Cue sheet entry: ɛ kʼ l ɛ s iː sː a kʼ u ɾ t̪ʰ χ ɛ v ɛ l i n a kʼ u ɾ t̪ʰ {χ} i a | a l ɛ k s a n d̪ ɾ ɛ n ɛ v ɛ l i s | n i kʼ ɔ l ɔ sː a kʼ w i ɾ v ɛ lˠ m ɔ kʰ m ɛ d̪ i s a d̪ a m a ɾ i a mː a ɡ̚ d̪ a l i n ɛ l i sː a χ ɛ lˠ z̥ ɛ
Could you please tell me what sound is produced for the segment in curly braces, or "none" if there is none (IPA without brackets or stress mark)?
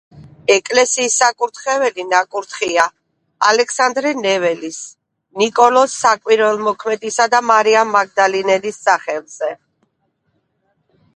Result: χ